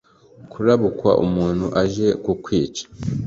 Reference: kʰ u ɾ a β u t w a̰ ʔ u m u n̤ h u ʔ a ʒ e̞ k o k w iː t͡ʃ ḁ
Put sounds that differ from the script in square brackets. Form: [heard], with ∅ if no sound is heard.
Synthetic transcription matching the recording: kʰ u ɾ a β u [k] w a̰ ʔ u m [uː] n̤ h u ʔ a ʒ e̞ k [u] k w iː t͡ʃ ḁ